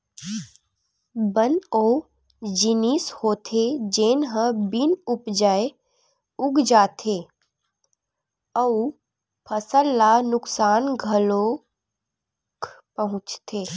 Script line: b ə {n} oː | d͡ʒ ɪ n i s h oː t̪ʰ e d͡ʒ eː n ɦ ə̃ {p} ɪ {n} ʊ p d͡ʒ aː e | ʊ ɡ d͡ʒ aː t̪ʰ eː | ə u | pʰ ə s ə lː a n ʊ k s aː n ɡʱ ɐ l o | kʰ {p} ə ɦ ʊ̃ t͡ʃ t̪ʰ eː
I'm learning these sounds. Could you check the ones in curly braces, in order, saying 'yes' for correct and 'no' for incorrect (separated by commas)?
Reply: yes, no, yes, yes